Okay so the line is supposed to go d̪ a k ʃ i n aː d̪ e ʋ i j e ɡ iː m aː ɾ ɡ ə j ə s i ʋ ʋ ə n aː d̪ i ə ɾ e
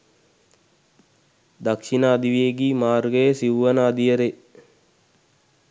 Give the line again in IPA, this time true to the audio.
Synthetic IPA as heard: d̪ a k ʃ i n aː d̪ i ʋ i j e ɡ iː m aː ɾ ɡ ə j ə s i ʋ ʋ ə n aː d̪ i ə ɾ e